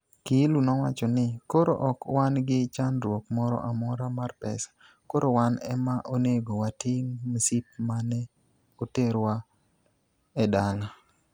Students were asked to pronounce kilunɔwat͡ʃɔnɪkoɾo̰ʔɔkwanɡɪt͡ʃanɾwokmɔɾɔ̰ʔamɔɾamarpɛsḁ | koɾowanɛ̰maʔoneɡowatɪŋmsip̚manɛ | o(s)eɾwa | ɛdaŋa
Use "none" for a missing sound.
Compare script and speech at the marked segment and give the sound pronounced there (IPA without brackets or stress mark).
t